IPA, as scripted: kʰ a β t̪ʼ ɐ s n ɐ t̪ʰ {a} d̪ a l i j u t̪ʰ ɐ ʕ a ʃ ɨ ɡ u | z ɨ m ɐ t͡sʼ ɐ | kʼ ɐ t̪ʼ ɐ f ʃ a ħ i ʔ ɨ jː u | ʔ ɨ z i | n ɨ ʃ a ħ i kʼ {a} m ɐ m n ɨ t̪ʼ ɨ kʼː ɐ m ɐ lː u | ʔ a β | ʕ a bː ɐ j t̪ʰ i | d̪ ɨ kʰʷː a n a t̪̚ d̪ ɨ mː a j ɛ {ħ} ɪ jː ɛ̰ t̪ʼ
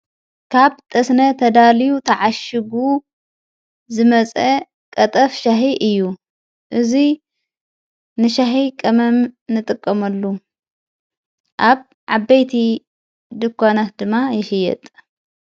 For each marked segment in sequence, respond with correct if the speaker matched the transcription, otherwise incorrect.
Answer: incorrect: ɐ, incorrect: ɐ, incorrect: ʃ

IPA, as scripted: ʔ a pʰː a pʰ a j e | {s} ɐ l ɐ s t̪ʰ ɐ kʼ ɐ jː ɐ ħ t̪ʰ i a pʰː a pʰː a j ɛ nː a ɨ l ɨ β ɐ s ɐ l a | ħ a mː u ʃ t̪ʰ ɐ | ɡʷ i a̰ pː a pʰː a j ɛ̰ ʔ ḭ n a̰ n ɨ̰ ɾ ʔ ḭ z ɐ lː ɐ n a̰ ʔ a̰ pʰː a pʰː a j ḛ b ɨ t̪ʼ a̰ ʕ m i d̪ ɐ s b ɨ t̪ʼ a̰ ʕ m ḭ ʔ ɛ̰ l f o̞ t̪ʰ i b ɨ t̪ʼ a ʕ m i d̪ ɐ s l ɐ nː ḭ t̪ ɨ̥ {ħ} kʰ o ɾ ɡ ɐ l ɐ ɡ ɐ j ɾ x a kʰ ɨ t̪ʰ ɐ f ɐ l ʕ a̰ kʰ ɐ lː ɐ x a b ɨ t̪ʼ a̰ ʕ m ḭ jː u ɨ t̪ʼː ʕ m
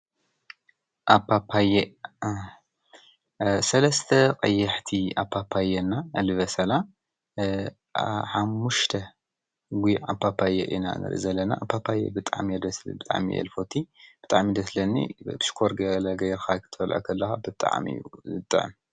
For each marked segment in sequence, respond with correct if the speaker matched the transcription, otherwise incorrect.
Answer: correct, incorrect: ʃ

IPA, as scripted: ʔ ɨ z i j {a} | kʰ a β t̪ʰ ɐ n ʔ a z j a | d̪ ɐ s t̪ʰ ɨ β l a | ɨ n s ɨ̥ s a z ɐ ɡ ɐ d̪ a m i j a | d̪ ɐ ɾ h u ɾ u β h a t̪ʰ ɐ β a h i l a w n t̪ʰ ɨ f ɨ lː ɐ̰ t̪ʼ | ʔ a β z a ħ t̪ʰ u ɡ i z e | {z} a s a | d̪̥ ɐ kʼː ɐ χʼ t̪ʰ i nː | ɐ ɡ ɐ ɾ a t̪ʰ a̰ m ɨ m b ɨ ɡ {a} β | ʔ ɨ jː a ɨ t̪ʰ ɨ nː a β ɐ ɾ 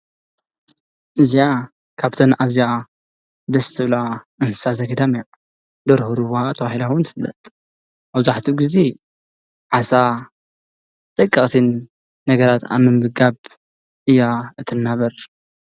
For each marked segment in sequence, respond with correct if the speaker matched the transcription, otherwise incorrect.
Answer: correct, incorrect: ʕ, correct

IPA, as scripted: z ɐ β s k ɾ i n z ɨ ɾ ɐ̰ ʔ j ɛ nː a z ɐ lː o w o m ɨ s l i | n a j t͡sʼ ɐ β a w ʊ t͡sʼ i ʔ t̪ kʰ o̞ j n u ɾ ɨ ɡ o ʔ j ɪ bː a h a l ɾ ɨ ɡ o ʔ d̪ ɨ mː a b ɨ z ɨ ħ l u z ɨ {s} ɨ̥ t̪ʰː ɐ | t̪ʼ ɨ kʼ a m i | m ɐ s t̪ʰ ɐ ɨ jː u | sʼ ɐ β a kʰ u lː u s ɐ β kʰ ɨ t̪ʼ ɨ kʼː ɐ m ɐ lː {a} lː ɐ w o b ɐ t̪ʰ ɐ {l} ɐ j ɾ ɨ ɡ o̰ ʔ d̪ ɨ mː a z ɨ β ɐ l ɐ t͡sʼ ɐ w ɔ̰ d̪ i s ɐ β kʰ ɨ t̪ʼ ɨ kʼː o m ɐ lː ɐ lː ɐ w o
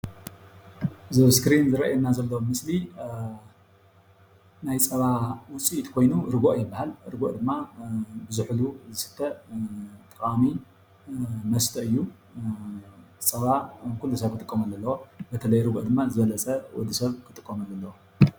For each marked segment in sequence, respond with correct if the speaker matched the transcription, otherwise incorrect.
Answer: correct, incorrect: ɐ, correct

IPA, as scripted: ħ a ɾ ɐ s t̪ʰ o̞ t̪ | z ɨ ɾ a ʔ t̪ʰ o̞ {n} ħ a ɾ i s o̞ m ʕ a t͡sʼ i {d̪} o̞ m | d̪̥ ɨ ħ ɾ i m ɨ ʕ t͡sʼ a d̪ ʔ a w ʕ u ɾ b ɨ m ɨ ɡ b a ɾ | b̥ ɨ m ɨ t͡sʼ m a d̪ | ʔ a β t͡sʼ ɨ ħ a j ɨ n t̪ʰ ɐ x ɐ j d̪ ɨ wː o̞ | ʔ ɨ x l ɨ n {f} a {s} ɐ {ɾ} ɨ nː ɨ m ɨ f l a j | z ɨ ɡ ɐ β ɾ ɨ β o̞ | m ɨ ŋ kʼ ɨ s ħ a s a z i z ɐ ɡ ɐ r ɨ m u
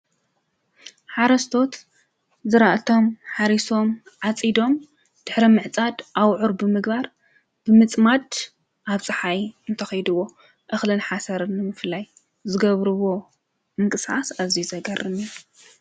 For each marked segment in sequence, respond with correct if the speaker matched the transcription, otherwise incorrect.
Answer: incorrect: m, correct, incorrect: ħ, correct, correct

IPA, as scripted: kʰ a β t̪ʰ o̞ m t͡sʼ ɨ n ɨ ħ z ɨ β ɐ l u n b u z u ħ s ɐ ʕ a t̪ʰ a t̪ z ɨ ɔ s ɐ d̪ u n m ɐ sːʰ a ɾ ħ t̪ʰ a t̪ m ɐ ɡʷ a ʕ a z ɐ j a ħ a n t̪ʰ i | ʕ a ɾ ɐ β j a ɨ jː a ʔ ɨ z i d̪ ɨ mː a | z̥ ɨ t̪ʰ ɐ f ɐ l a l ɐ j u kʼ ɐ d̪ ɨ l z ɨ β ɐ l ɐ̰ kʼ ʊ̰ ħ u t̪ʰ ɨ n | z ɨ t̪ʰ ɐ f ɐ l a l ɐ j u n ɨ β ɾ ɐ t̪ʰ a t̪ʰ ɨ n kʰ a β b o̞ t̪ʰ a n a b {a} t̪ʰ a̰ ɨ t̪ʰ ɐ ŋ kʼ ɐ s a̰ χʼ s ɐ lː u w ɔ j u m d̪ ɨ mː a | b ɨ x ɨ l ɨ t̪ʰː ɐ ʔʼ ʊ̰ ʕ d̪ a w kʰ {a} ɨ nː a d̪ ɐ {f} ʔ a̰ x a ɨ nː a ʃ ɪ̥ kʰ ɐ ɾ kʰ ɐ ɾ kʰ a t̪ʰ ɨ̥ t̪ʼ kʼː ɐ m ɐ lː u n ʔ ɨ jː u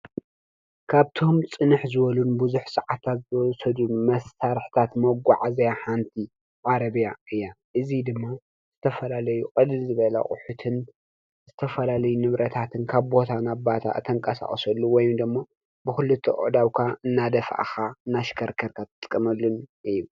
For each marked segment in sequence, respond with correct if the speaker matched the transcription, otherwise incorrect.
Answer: correct, correct, correct

